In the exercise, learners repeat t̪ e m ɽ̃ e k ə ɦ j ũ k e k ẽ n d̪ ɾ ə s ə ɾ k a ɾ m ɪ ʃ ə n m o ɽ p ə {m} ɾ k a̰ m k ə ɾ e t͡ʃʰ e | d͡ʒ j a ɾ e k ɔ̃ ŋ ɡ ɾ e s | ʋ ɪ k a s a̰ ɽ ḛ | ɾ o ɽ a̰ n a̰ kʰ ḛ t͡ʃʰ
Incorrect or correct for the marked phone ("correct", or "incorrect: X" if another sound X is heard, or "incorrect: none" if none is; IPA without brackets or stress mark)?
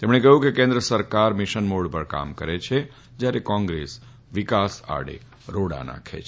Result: incorrect: none